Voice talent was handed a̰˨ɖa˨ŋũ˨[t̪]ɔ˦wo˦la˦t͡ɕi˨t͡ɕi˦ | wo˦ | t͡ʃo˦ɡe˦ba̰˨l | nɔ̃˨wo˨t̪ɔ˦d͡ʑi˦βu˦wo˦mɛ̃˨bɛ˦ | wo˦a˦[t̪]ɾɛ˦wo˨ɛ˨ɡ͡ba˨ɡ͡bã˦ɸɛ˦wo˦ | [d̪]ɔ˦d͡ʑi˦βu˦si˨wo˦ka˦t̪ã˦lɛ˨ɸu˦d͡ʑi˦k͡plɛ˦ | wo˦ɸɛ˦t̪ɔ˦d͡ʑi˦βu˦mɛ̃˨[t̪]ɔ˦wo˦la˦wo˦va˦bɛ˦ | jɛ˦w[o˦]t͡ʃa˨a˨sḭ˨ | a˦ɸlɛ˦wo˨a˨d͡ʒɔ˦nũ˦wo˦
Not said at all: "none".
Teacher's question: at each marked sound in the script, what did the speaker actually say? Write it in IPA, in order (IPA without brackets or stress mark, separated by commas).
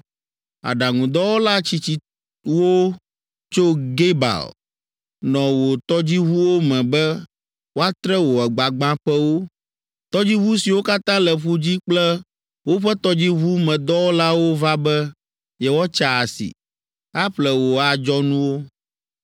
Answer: d̪, t̪, t̪, d̪, ɔ˦